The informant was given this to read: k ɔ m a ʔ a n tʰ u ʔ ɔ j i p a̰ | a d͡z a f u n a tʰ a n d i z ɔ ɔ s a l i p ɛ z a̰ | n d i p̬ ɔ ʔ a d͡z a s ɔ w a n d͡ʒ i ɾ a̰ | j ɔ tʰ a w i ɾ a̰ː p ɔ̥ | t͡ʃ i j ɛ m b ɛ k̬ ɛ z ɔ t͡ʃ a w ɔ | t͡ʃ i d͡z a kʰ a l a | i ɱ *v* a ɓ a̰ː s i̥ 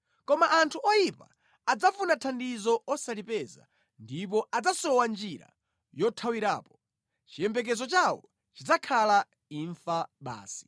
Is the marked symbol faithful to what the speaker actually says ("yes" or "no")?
no